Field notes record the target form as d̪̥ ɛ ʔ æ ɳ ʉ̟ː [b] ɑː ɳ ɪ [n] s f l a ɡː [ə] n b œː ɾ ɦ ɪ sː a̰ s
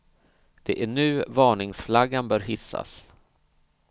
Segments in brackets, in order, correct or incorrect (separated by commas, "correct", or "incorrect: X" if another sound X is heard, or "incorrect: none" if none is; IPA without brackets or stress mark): incorrect: v, incorrect: ŋ, incorrect: a